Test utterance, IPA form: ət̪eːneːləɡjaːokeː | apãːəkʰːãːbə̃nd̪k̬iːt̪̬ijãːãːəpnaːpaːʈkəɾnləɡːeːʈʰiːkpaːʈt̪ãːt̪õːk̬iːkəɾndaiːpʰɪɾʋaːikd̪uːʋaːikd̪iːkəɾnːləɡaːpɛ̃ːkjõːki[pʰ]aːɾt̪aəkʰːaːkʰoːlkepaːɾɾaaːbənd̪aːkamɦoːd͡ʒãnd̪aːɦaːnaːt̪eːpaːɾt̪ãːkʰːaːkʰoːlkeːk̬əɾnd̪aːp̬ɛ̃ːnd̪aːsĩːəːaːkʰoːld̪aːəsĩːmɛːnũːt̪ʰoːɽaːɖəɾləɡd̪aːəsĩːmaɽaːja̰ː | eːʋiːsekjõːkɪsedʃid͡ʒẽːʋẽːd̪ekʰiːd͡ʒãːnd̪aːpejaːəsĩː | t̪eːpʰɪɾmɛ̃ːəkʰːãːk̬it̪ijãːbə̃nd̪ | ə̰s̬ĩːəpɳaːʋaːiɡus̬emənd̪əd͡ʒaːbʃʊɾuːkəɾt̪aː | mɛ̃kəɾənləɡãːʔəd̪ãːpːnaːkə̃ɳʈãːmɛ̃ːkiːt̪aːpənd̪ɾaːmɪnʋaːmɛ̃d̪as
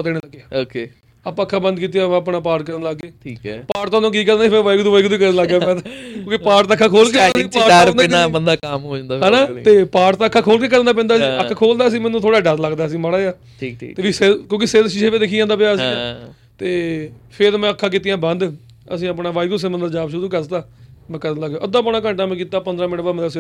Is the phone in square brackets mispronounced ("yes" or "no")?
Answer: yes